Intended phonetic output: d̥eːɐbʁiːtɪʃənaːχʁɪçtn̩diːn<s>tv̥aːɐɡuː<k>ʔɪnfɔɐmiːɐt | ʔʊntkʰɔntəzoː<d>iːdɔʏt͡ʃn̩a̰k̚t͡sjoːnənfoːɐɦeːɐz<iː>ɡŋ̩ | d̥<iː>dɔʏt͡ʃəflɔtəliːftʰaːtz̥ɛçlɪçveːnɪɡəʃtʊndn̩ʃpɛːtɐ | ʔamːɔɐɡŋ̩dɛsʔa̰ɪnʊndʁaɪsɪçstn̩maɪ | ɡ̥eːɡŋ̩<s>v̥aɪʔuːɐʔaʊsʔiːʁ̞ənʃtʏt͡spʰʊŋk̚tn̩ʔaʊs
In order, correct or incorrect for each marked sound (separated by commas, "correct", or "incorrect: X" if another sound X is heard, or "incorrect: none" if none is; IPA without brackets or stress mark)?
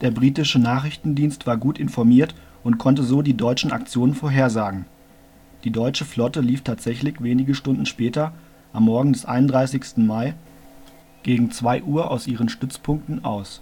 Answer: correct, incorrect: t, correct, incorrect: aː, correct, incorrect: t͡s